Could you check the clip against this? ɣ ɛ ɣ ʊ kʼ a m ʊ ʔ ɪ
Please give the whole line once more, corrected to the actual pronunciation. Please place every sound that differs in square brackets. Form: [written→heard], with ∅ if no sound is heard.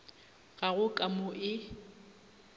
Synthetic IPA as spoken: ɣ [ɛ→a] ɣ ʊ kʼ a m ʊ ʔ ɪ